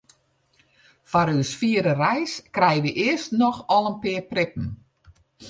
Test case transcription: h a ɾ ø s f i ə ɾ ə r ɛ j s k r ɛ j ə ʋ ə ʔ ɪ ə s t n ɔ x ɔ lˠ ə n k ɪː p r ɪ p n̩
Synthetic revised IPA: f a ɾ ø s f i ə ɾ ə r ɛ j s k r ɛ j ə ʋ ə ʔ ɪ ə s t n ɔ x ɔ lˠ ə n p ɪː p r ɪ p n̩